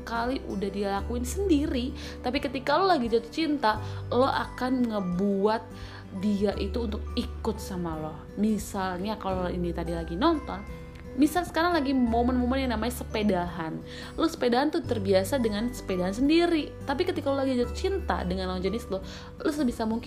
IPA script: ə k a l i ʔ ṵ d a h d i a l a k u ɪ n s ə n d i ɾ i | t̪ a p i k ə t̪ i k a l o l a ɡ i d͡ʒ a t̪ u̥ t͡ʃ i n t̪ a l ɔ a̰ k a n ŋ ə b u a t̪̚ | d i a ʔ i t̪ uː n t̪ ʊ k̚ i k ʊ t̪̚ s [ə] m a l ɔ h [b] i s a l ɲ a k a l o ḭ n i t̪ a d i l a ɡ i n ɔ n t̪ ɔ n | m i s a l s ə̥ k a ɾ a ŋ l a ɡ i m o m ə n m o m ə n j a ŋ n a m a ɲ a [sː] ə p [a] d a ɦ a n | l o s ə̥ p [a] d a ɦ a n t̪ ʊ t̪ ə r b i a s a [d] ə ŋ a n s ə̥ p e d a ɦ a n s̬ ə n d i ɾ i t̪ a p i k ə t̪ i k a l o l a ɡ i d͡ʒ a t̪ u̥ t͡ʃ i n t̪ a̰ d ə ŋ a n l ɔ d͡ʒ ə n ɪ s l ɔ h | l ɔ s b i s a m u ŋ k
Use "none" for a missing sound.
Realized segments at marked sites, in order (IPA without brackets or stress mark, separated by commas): a, m, s, e, e, d